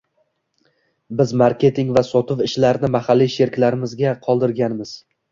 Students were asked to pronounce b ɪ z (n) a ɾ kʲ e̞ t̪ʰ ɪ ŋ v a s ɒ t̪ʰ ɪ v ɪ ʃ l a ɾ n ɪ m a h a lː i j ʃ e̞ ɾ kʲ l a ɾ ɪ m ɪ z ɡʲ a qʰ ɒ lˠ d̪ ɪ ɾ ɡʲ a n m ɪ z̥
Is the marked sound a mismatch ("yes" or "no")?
yes